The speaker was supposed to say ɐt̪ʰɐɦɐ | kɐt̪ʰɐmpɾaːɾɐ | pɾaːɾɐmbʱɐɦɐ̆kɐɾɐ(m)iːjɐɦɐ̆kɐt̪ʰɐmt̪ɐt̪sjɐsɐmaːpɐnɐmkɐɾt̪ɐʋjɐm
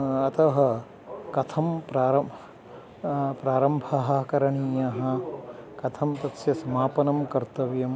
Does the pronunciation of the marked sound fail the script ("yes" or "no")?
yes